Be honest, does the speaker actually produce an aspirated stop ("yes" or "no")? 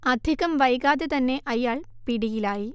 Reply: no